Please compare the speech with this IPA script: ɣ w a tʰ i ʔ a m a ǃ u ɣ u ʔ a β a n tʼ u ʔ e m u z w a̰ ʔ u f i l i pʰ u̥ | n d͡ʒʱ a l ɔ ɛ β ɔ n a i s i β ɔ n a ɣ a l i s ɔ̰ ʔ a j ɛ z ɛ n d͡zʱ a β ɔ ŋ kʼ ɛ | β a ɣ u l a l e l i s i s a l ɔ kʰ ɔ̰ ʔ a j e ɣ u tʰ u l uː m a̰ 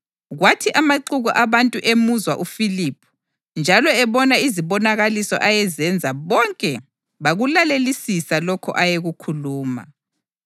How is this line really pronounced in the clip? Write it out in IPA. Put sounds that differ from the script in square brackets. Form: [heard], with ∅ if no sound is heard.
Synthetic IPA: ɣ w a tʰ i ʔ a m a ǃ u ɣ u ʔ a β a n tʼ u ʔ e m u z w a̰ ʔ u f i l i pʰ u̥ | n d͡ʒʱ a l ɔ ɛ β ɔ n a i [z] i β ɔ n a ɣ a l i s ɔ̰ ʔ a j ɛ z ɛ n d͡zʱ a β ɔ ŋ kʼ ɛ | β a ɣ u l a l e l i s i s a l ɔ kʰ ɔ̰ ʔ a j e ɣ u [kʰ] u l uː m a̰